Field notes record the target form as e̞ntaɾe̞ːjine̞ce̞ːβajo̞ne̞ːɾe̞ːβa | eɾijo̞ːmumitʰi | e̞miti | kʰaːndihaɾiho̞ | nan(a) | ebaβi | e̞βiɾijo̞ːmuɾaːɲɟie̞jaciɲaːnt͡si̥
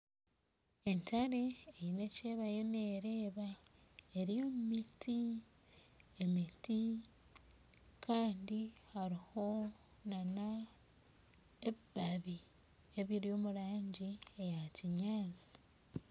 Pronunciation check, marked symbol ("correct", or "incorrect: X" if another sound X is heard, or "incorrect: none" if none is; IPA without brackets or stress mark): correct